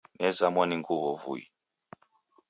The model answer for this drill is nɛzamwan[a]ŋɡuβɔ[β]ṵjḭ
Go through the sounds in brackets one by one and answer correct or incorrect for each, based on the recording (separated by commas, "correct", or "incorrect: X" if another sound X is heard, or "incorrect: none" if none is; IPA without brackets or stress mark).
incorrect: i, incorrect: v